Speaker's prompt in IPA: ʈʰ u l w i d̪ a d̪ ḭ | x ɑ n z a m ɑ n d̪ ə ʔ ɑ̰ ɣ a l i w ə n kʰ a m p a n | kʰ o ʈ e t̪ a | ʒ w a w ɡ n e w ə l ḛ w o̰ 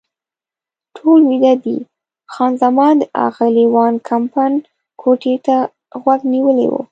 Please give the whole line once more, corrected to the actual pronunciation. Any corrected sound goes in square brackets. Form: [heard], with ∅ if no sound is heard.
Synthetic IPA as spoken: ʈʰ [o] l w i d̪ a d̪ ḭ | x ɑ n z a m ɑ n d̪ ə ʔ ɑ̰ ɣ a l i w [ɑ] n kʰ a m p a n | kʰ o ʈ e t̪ a | [ɣ] w a [∅] ɡ n [i] w ə l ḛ w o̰